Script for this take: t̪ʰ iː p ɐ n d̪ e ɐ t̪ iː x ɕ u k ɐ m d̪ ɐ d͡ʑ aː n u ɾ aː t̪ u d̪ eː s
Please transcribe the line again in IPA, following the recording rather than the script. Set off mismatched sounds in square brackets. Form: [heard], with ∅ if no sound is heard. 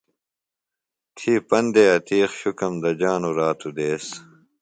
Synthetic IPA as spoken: t̪ʰ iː p ɐ n d̪ e ɐ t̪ iː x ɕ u k ɐ m d̪ ɐ d͡ʑ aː n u ɾ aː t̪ u d̪ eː s